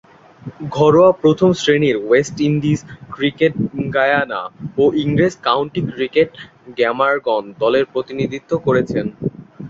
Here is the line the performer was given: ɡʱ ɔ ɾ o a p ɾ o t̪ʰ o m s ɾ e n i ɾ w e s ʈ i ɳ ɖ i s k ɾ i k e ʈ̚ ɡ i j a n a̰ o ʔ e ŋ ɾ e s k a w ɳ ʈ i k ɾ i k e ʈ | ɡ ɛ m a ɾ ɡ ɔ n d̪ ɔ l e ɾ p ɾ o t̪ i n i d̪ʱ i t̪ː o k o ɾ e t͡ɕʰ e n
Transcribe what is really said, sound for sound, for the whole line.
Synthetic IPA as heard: ɡʱ ɔ ɾ o a p ɾ o t̪ʰ o m s ɾ e n i ɾ w e s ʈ i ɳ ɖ i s k ɾ i k e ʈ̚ ɡ a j a n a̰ o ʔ i ŋ ɾ e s k a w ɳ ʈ i k ɾ i k e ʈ | ɡ ɛ m a ɾ ɡ ɔ n d̪ ɔ l e ɾ p ɾ o t̪ i n i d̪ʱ i t̪ː o k o ɾ e t͡ɕʰ e n